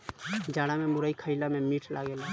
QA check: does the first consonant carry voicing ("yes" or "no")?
yes